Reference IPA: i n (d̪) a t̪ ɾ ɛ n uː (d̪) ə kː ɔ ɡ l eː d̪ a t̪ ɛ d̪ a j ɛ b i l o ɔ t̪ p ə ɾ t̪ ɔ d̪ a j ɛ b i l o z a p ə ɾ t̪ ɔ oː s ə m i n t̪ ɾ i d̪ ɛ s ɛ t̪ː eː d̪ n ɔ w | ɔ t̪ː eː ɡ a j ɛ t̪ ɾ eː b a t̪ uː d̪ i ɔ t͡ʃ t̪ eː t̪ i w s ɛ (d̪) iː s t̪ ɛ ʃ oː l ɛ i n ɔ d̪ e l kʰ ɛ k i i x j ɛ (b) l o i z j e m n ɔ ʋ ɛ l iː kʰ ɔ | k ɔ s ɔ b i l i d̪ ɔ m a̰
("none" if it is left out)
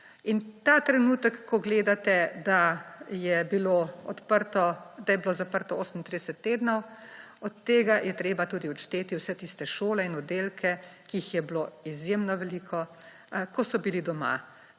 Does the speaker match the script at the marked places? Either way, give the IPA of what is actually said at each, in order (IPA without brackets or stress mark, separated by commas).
t̪, t̪, t̪, b